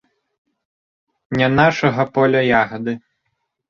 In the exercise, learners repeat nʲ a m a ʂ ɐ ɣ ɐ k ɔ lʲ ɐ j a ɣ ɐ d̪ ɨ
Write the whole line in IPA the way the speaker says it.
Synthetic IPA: nʲ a n a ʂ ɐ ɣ ɐ p ɔ lʲ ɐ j a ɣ ɐ d̪ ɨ